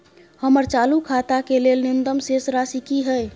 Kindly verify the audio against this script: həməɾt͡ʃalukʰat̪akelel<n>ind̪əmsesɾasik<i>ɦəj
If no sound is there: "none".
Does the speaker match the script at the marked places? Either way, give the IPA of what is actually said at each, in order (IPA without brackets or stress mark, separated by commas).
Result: n, i